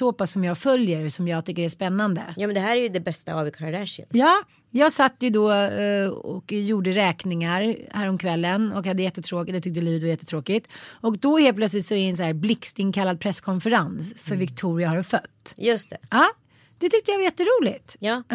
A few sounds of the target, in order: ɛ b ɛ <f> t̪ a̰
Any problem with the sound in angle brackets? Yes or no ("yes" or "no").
yes